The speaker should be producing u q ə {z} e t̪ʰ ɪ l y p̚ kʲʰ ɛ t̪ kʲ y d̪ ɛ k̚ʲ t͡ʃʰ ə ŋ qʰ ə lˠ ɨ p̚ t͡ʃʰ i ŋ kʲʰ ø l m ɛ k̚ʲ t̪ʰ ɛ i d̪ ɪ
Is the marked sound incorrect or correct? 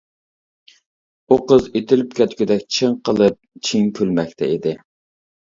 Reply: correct